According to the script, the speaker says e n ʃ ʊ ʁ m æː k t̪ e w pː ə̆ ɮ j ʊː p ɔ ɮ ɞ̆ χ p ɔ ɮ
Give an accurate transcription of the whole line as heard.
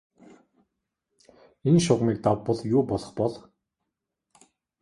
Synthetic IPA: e n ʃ ʊ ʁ m iː k t̪ a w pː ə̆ ɮ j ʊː p ɔ ɮ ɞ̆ χ p ɔ ɮ